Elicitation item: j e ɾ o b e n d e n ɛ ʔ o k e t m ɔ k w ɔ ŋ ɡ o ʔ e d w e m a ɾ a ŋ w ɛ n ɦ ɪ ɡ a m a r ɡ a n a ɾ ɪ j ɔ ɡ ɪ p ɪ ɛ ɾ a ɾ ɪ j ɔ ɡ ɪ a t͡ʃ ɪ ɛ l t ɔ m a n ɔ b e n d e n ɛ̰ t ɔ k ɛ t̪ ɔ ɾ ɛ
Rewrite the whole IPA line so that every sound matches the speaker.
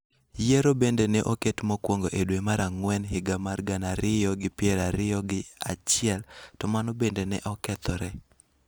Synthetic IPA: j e ɾ o b e n d e n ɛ ʔ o k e t m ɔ k w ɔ ŋ ɡ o ʔ e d w e m a ɾ a ŋ w ɛ n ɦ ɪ ɡ a m a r ɡ a n a ɾ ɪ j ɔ ɡ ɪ p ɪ ɛ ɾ a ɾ ɪ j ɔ ɡ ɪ a t͡ʃ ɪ ɛ l t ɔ m a n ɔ b e n d e n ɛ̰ ʔ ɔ k ɛ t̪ ɔ ɾ ɛ